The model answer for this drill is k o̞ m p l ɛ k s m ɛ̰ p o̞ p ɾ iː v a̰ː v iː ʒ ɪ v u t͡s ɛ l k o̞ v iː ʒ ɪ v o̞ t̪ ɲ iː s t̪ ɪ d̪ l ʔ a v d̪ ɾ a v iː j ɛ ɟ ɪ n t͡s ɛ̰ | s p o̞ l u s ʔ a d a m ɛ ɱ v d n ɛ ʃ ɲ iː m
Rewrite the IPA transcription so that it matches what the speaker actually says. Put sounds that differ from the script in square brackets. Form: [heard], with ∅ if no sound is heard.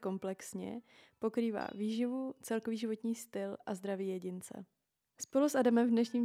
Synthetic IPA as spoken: k o̞ m p l ɛ k s [ɲ] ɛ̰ p o̞ [k] ɾ iː v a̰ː v iː ʒ ɪ v u t͡s ɛ l k o̞ v iː ʒ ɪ v o̞ t̪ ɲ iː s t̪ ɪ [∅] l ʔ a [z] d̪ ɾ a v iː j ɛ ɟ ɪ n t͡s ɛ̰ | s p o̞ l u s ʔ a d a m ɛ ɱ v d n ɛ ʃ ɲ iː m